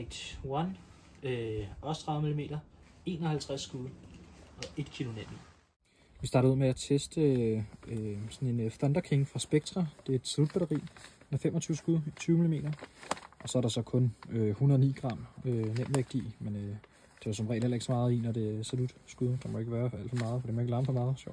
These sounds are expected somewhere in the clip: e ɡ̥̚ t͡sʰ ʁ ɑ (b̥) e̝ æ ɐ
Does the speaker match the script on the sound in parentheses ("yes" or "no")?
no